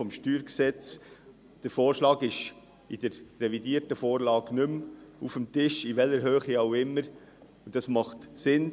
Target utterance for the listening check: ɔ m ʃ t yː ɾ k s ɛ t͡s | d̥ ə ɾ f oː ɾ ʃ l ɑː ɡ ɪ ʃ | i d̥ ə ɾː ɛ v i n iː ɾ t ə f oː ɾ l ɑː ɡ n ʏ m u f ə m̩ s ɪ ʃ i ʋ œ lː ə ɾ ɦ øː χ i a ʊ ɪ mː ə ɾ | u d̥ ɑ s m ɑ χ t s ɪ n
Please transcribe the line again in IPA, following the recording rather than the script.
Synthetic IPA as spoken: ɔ m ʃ t yː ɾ k s ɛ t͡s | d̥ ə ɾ f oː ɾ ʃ l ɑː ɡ ɪ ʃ | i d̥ ə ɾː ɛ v i d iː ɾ t ə f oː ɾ l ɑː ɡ n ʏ m u f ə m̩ t ɪ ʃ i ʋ ɛ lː ə ɾ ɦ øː χ i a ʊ ɪ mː ə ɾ | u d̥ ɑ s m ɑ χ t s ɪ n